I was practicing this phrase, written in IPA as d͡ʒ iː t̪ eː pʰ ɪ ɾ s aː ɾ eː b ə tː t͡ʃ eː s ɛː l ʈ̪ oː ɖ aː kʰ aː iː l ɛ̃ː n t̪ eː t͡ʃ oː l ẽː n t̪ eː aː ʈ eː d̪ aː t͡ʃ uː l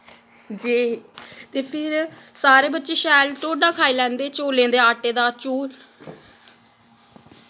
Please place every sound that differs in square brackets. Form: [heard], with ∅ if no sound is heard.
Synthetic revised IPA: d͡ʒ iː t̪ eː pʰ ɪ ɾ s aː ɾ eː b ə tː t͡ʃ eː [ʃ] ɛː l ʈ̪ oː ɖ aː kʰ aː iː l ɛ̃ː n [d̪] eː t͡ʃ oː l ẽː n [d̪] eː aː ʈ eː d̪ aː t͡ʃ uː l